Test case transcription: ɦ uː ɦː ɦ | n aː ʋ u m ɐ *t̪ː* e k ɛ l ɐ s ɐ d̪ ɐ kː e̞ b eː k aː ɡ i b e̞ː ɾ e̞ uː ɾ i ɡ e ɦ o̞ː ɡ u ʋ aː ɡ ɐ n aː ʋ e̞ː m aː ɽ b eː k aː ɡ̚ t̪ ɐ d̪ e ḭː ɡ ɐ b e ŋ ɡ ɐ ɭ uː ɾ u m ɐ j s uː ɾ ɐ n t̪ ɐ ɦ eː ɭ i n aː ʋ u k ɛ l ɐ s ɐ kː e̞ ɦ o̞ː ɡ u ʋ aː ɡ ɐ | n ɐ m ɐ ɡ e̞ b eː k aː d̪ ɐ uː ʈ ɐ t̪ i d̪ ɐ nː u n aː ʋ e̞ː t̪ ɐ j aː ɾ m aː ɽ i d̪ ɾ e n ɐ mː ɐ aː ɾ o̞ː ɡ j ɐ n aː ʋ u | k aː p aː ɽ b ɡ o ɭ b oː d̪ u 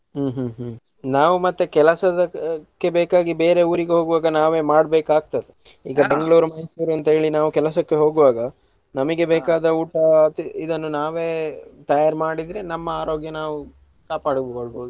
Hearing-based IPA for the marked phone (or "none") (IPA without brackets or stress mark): t̪ː